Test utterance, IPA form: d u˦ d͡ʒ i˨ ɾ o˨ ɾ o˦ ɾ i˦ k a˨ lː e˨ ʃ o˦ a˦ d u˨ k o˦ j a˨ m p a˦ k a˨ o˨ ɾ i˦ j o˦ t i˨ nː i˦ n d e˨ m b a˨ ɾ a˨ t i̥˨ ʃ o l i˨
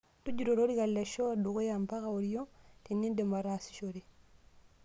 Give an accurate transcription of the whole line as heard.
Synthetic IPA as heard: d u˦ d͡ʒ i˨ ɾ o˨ ɾ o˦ ɾ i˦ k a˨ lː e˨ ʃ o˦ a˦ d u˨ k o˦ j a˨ m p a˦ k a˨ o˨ ɾ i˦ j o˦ t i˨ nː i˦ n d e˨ m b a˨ ɾ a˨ s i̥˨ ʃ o ɾ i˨